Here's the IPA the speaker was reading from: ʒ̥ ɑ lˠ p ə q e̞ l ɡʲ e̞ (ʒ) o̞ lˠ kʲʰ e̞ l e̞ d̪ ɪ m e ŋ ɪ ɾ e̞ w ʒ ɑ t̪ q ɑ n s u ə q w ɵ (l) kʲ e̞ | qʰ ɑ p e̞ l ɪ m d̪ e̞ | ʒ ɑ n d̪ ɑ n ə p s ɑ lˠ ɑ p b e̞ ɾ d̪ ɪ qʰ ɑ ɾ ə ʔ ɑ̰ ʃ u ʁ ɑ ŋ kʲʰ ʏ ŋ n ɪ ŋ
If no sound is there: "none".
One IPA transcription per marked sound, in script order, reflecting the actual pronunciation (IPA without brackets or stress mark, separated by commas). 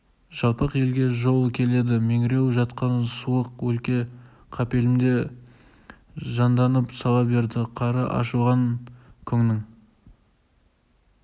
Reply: ʒ, l